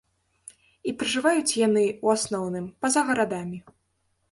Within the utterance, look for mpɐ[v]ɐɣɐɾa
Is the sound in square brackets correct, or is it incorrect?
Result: incorrect